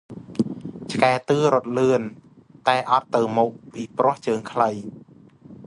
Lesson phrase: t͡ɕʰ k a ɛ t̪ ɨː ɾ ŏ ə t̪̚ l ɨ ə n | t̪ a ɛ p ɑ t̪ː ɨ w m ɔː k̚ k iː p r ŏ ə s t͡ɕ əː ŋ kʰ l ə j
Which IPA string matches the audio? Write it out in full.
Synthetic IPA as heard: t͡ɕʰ k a ɛ t̪ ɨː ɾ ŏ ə t̪̚ l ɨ ə n | t̪ a ɛ ʔ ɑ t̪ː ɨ w m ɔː k̚ p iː p r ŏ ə h t͡ɕ əː ŋ kʰ l ə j